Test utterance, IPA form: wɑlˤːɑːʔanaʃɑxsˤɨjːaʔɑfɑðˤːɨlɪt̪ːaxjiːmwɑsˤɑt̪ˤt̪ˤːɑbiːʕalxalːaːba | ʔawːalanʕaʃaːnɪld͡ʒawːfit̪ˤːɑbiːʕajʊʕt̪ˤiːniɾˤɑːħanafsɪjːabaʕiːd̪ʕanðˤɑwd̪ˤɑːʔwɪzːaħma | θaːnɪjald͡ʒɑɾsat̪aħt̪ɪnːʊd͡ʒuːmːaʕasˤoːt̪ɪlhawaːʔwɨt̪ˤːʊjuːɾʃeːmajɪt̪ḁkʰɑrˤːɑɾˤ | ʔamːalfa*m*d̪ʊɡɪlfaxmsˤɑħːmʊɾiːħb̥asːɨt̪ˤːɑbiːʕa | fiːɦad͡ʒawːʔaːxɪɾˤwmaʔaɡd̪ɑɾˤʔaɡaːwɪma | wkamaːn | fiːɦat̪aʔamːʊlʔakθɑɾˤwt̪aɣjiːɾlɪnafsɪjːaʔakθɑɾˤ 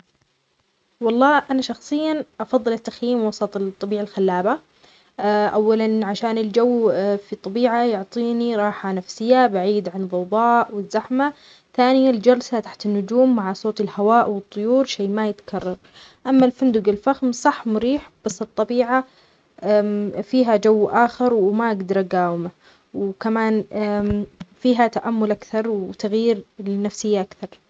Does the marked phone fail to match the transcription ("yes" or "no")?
yes